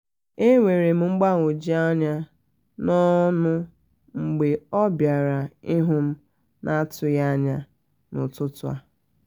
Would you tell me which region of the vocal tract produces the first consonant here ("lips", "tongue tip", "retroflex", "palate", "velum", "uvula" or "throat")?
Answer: velum